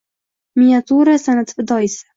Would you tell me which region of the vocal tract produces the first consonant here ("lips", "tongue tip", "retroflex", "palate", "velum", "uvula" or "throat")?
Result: lips